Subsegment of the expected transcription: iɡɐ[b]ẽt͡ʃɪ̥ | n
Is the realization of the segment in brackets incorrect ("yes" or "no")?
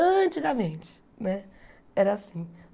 yes